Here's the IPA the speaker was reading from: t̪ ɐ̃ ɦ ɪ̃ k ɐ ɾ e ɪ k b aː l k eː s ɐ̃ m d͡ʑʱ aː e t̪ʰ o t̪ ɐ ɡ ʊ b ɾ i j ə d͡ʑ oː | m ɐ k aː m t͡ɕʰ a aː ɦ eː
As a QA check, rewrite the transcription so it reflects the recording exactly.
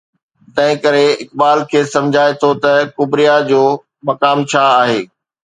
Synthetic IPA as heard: t̪ ɐ̃ ɦ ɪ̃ k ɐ ɾ e ɪ k b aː l kʰ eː s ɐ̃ m d͡ʑʱ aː e t̪ʰ o t̪ ɐ k ʊ b ɾ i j a d͡ʑ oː | m ɐ k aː m t͡ɕʰ a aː ɦ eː